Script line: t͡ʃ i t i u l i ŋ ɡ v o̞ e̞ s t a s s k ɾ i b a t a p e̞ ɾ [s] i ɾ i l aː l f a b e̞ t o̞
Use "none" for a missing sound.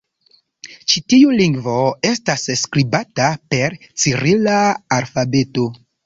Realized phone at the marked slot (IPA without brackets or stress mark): t͡s